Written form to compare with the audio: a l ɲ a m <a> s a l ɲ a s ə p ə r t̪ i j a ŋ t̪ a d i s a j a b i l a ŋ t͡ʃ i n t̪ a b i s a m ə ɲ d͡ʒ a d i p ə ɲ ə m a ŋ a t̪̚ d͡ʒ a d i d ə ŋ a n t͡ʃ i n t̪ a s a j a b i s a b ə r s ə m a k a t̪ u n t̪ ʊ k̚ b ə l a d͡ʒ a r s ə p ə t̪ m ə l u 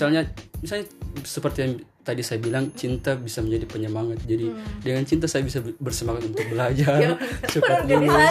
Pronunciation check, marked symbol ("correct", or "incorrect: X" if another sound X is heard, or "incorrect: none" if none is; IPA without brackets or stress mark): incorrect: i